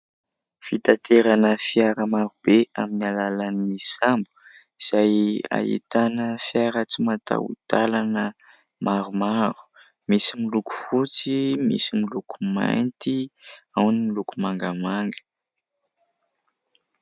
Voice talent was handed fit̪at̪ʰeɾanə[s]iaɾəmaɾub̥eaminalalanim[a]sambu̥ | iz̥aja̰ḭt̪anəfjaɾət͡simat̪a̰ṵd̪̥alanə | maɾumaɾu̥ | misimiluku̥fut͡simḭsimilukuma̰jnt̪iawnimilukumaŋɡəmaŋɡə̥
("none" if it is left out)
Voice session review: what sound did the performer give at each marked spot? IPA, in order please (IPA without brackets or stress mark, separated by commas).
f, i